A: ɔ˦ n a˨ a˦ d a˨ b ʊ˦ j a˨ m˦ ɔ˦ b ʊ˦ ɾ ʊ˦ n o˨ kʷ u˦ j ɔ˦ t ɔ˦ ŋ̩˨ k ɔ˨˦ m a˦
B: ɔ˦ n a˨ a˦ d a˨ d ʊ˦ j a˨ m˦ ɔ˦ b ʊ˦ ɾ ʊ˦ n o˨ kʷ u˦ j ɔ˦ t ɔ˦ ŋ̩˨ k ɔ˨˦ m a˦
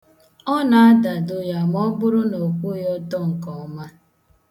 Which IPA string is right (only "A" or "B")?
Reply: B